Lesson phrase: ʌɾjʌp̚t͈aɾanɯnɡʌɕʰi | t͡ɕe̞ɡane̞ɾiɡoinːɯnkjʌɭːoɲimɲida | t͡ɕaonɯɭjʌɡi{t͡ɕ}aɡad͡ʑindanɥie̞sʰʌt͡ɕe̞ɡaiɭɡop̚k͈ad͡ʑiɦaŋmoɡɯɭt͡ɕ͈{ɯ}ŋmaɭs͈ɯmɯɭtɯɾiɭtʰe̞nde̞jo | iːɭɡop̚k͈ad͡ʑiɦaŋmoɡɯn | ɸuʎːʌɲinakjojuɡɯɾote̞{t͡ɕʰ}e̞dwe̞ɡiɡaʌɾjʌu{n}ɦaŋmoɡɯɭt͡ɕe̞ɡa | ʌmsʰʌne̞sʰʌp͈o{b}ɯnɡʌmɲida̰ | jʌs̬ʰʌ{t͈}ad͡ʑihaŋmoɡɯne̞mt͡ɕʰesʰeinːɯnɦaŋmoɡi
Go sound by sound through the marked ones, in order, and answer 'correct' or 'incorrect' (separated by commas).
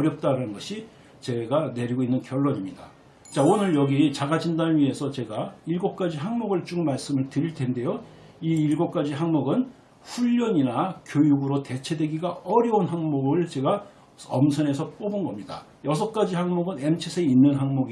correct, incorrect, correct, correct, correct, incorrect